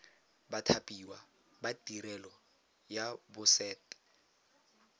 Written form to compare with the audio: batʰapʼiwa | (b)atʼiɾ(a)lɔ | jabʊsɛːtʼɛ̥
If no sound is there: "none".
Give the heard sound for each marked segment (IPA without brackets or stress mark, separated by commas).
b, ɛ